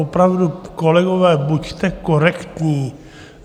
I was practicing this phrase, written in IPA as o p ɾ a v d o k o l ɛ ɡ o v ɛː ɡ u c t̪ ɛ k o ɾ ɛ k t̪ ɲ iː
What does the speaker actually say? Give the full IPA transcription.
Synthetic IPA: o p ɾ a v d u k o l ɛ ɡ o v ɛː b u c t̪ ɛ k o ɾ ɛ k t̪ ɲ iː